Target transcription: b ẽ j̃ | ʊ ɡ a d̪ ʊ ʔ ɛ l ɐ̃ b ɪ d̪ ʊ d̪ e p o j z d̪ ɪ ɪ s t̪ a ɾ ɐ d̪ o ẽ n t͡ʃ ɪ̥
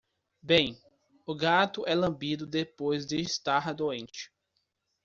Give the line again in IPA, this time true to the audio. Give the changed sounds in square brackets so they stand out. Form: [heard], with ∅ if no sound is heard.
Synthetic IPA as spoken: b ẽ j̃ | ʊ ɡ a [t̪] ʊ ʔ ɛ l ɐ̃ b [i] d̪ ʊ d̪ e p o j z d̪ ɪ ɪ s t̪ a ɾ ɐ d̪ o ẽ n t͡ʃ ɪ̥